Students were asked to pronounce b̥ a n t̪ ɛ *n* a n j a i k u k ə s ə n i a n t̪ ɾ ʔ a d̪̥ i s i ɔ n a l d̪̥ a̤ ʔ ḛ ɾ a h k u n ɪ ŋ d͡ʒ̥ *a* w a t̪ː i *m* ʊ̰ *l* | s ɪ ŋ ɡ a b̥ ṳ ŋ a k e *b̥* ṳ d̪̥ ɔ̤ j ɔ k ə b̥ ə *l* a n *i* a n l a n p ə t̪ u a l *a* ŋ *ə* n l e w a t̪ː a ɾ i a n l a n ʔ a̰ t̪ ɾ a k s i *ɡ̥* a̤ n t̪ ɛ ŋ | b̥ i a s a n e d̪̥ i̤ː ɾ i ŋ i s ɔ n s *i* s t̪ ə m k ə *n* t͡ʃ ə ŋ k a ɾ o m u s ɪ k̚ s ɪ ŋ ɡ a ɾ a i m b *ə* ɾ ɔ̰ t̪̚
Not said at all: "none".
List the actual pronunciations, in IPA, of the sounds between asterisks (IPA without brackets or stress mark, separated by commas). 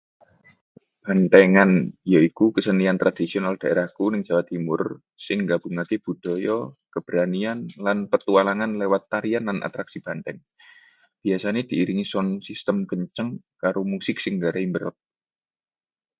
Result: ŋ, a, m, r, b̥, ɾ, i, a, a, b̥, i, ɲ, ə